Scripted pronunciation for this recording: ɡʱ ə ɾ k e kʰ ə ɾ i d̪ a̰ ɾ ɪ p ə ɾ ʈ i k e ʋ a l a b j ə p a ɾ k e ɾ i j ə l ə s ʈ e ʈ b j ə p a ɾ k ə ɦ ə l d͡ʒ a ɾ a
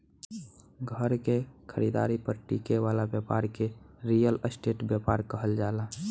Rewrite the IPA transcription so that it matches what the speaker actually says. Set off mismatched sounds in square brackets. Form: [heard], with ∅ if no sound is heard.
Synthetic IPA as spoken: ɡʱ ə ɾ k e kʰ ə ɾ i d̪ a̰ ɾ [i] p ə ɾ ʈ i k e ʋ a l a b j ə p a ɾ k e ɾ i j ə l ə s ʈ e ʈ b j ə p a ɾ k ə ɦ ə l d͡ʒ a [l] a